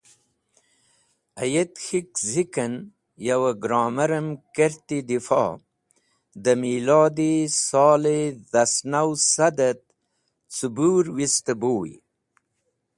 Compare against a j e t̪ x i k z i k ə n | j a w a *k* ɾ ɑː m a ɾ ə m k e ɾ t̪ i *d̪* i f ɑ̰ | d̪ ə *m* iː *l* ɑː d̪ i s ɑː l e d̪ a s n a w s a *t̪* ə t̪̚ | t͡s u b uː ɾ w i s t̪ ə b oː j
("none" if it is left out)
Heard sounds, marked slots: ɡ, d̪, m, l, d̪

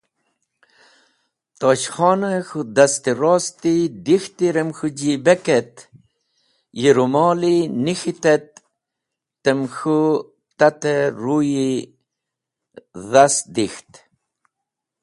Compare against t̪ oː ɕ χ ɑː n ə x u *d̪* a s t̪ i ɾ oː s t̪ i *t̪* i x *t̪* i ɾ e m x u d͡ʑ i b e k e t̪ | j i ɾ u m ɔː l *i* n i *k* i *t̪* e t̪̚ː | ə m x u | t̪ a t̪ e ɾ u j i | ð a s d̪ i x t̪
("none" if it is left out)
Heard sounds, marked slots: d̪, d̪, t̪, i, x, t̪

